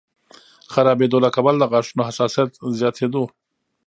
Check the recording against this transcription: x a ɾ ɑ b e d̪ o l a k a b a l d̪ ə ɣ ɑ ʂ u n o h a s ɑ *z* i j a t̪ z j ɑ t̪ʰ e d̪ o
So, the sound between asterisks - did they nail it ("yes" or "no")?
no